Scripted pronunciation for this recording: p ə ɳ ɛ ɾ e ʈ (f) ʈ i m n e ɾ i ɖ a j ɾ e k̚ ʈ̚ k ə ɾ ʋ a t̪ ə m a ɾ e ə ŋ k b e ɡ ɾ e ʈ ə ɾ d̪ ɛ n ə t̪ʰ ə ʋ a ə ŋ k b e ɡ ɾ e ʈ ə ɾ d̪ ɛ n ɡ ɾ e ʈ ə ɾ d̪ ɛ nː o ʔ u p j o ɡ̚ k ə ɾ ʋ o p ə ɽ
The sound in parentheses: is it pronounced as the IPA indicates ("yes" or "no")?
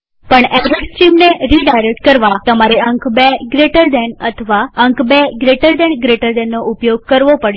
no